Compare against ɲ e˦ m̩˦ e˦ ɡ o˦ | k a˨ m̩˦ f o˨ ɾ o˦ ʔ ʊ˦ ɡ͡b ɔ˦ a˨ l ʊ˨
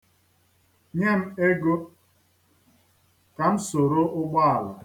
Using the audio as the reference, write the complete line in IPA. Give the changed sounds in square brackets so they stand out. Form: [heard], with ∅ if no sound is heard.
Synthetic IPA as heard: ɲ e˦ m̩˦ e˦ ɡ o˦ | k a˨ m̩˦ [s] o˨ ɾ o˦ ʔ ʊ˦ ɡ͡b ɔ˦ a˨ l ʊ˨